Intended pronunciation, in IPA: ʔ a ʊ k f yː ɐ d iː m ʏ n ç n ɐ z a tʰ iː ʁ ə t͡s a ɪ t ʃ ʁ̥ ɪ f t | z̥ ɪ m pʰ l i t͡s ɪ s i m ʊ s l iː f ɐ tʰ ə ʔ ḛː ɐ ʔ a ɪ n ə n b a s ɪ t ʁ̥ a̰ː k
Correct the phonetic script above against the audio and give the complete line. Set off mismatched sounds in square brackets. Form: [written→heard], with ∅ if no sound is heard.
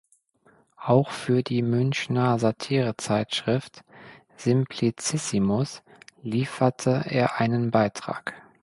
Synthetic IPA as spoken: ʔ a ʊ [k→x] f yː ɐ d iː m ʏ n ç n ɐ z a tʰ iː ʁ ə t͡s a ɪ t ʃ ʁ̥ ɪ f t | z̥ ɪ m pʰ l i t͡s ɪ s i m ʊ s l iː f ɐ tʰ ə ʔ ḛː ɐ ʔ a ɪ n ə n b a [s→∅] ɪ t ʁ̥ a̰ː k